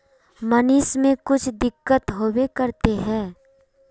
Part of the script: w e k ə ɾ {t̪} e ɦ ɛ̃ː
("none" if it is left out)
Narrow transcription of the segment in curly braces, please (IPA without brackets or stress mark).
t̪